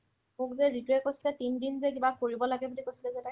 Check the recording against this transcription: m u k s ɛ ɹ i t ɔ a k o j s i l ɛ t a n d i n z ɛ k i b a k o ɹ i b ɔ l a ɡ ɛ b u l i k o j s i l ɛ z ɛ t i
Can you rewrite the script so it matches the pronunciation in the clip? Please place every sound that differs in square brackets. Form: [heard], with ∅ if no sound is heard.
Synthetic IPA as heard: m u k [z] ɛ ɹ i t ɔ [ɛ] k o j s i l ɛ t [i] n d i n z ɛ k i b a k o ɹ i b ɔ l a ɡ ɛ b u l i k o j s i l ɛ z ɛ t [a]